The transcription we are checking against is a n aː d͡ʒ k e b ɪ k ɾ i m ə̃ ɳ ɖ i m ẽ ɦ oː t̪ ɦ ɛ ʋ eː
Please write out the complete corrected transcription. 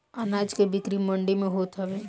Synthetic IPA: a n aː d͡ʒ k e b ɪ k ɾ i m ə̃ ɳ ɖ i m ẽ ɦ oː t̪ ɦ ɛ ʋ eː